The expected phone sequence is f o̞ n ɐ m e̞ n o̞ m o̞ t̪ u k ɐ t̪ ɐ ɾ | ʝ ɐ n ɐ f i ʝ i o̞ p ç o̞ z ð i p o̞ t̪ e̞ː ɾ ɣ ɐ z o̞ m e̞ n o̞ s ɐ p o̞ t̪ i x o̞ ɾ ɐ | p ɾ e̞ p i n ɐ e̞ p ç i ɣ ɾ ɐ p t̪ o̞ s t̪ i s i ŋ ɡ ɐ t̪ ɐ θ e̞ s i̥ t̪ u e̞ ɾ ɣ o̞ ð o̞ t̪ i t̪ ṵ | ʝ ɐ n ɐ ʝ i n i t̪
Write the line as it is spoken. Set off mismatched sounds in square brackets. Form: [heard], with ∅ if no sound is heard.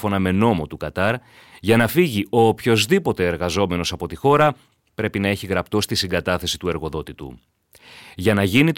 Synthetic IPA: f o̞ n ɐ m e̞ n o̞ m o̞ t̪ u k ɐ t̪ ɐ ɾ | ʝ ɐ n ɐ f i ʝ i o̞ p ç o̞ z ð i p o̞ t̪ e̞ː ɾ ɣ ɐ z o̞ m e̞ n o̞ s ɐ p o̞ t̪ i x o̞ ɾ ɐ | p ɾ e̞ p i n ɐ e̞ [∅] ç i ɣ ɾ ɐ p t̪ o̞ s t̪ i s i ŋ ɡ ɐ t̪ ɐ θ e̞ s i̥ t̪ u e̞ ɾ ɣ o̞ ð o̞ t̪ i t̪ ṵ | ʝ ɐ n ɐ ʝ i n i t̪